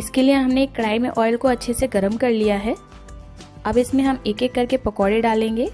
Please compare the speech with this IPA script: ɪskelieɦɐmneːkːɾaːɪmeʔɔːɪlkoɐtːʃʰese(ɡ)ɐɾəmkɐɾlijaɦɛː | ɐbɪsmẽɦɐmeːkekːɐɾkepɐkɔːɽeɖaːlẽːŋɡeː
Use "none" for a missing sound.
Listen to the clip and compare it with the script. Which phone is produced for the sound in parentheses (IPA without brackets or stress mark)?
ɡ